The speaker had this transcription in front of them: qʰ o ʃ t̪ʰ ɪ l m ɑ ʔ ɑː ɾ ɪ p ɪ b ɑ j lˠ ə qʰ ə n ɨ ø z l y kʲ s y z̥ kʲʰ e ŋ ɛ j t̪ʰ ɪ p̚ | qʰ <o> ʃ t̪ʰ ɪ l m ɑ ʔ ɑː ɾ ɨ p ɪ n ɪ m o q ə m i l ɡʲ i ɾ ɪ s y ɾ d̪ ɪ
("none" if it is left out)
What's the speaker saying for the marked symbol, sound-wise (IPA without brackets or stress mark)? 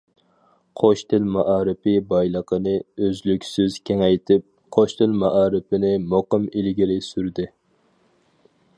o